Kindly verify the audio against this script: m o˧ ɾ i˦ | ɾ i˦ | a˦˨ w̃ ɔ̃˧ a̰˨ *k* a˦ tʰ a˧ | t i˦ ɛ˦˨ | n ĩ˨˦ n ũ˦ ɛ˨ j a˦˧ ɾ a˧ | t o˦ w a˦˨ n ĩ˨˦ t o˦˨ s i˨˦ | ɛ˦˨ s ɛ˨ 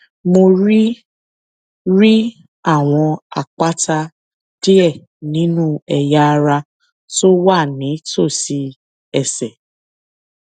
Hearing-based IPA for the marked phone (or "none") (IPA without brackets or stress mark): k͡p